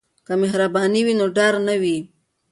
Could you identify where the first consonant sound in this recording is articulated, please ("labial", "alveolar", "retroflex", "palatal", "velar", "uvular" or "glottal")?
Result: velar